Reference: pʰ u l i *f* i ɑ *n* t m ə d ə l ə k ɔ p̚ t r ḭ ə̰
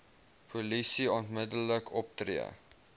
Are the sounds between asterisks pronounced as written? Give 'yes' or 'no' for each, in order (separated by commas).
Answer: no, yes